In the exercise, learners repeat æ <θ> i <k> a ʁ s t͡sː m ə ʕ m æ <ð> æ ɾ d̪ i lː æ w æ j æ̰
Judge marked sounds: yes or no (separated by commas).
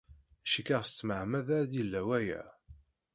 no, yes, yes